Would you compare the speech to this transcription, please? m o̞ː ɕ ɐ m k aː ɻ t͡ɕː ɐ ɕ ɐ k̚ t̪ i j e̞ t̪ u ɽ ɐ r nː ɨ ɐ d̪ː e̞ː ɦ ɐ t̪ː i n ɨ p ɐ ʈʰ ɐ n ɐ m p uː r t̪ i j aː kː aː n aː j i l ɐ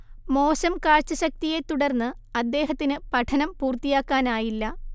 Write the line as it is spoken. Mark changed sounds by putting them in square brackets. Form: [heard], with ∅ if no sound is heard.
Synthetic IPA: m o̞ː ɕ ɐ m k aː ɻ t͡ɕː ɐ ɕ ɐ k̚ t̪ i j e̞ t̪ u ɽ ɐ r nː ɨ ɐ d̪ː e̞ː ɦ ɐ t̪ː i n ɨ p ɐ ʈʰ ɐ n ɐ m p uː r t̪ i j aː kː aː n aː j i [lː] ɐ